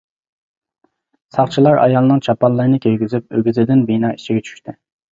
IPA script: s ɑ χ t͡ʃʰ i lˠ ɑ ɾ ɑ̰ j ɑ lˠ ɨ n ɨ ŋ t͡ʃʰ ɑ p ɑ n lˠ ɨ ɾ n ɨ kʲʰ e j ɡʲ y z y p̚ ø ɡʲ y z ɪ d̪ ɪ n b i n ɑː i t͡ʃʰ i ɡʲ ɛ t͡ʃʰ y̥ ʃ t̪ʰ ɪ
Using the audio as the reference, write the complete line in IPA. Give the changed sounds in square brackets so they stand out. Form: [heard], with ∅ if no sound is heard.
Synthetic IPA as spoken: s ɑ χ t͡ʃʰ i lˠ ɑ ɾ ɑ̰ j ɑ lˠ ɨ n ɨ ŋ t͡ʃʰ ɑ p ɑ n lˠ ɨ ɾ n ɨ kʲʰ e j ɡʲ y z y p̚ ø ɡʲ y z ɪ d̪ ɪ n b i n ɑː i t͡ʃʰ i ɡʲ ɛ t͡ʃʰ y̥ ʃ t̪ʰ ɪ